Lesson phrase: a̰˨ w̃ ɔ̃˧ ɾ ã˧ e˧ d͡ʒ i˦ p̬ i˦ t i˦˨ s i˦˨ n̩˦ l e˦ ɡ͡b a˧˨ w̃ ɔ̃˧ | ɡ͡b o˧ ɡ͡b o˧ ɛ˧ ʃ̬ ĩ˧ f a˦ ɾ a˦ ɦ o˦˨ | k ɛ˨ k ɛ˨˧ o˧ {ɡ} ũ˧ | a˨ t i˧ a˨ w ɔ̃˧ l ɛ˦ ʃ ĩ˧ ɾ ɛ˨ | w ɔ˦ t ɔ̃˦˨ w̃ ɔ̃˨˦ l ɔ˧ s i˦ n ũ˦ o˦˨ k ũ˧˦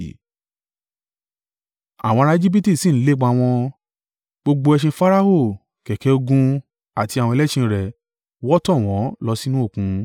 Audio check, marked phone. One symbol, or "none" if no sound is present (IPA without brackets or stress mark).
ɡ